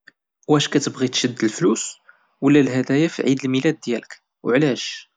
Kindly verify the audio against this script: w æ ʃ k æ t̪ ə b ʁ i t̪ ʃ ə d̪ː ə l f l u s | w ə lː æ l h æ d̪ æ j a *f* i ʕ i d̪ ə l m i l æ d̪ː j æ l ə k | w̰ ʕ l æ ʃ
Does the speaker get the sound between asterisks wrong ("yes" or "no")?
no